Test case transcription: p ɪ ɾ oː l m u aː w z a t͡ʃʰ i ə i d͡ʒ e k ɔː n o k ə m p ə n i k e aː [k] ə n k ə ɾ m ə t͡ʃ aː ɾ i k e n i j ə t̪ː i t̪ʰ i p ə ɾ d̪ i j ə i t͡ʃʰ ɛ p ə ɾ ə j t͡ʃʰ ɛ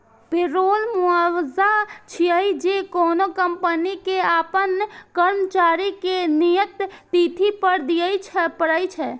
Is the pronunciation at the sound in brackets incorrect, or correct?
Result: incorrect: p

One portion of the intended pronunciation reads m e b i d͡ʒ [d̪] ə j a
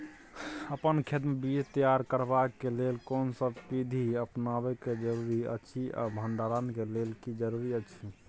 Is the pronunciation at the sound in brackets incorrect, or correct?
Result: incorrect: t̪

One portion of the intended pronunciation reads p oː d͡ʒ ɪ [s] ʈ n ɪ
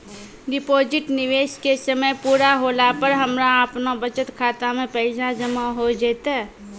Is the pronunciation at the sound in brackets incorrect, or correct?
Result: incorrect: none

